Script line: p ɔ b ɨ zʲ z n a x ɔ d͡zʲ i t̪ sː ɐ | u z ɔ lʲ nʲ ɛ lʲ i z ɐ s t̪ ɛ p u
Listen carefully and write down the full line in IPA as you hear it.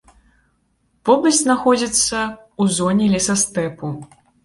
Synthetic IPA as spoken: p ɔ b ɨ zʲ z n a x ɔ d͡zʲ i t̪ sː ɐ | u z ɔ nʲ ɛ lʲ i s ɐ s t̪ ɛ p u